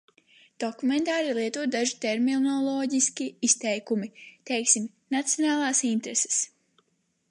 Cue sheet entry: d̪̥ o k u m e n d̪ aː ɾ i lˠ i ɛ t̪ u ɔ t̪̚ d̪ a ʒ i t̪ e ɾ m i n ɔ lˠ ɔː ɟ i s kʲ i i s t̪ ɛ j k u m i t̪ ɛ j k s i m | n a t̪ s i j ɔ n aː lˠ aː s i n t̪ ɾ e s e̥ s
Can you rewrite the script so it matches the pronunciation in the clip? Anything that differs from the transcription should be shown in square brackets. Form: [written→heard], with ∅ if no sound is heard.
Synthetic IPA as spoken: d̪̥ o k u m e n [d̪→t̪] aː ɾ i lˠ i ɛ t̪ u ɔ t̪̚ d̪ a ʒ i t̪ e ɾ m i n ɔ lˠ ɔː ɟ i s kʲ i i s t̪ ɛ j k u m i t̪ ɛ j k s i m | n a t̪ s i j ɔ n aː lˠ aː s i n t̪ ɾ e s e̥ s

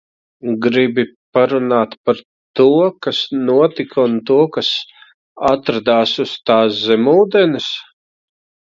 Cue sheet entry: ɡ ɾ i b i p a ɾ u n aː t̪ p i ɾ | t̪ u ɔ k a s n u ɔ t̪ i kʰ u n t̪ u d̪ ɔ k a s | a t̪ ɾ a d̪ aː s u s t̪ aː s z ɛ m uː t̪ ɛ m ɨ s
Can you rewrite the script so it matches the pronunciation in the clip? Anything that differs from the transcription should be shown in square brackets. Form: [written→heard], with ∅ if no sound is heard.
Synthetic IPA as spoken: ɡ ɾ i b i p a ɾ u n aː t̪ p [i→a] ɾ | t̪ u ɔ k a s n u ɔ t̪ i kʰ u n t̪ u [d̪→∅] ɔ k a s | a t̪ ɾ a d̪ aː s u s t̪ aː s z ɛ m uː [t̪→d̪] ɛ [m→n] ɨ s

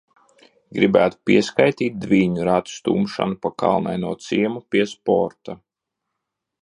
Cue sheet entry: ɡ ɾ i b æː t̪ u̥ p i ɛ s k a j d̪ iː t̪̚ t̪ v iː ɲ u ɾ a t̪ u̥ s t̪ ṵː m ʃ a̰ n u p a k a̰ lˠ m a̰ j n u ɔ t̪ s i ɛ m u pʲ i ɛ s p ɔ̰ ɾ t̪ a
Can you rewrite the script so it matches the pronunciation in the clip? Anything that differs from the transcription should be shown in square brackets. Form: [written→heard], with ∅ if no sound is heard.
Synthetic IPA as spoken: ɡ ɾ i b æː t̪ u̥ p i ɛ s k a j [d̪→t̪] iː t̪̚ [t̪→d̪] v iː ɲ u ɾ a t̪ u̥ s t̪ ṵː m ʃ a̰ n u p a k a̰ lˠ [m→n] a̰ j n u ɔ t̪ s i ɛ m u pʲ i ɛ s p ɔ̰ ɾ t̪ a

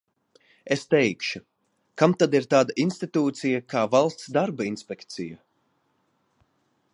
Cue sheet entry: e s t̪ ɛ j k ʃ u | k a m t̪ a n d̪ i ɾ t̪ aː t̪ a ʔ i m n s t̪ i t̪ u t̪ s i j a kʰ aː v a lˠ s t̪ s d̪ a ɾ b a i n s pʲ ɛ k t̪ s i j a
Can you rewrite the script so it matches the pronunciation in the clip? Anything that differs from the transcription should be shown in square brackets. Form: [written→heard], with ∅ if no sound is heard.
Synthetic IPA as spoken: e s t̪ ɛ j k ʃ u | k a m t̪ a [n→∅] d̪ i ɾ t̪ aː [t̪→d̪] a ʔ i [m→∅] n s t̪ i t̪ [u→uː] t̪ s i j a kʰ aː v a lˠ s t̪ s d̪ a ɾ b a i n s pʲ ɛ k t̪ s i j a

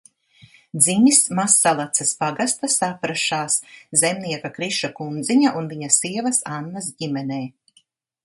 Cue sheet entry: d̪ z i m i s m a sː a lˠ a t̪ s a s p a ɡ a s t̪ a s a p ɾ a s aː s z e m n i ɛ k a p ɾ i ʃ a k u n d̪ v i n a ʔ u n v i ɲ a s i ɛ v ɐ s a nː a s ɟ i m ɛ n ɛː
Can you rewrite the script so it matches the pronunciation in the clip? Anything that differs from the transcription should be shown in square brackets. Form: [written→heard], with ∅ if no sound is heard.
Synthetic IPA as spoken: d̪ z i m i s m a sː a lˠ a t̪ s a s p a ɡ a s t̪ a s a p ɾ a [s→ʃ] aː s z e m n i ɛ k a [p→k] ɾ i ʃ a k u n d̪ [v→z] i [n→ɲ] a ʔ u n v i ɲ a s i ɛ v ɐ s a nː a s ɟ i m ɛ n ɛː

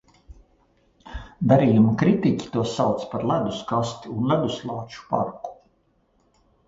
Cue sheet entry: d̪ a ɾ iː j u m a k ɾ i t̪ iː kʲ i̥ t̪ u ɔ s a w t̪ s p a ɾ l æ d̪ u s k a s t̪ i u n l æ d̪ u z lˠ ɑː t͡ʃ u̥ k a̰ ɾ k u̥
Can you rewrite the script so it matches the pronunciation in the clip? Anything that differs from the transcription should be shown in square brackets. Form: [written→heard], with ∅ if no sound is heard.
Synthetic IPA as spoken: d̪ a ɾ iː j u m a k ɾ i t̪ [iː→i] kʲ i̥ t̪ u ɔ s a w t̪ s p a ɾ l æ d̪ u s k a s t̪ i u n l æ d̪ u [z→s] lˠ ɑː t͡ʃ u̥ [k→p] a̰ ɾ k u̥

